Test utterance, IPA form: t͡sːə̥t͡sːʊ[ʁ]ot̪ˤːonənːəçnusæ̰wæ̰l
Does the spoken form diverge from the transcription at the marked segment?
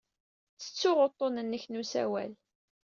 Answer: no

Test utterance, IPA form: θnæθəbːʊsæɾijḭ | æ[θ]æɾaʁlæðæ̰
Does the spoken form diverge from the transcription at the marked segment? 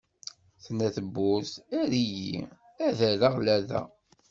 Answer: yes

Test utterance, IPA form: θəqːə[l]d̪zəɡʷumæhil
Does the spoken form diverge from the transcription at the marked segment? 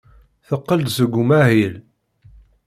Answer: no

